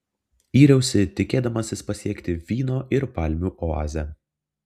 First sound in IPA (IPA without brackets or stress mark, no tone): iː